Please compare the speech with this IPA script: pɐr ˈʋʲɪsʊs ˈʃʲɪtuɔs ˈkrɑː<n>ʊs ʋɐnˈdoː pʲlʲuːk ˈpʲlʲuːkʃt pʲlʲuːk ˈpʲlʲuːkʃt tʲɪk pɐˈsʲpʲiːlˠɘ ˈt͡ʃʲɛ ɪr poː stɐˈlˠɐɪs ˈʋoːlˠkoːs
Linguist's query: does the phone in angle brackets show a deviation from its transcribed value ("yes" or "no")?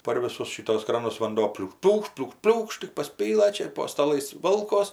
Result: no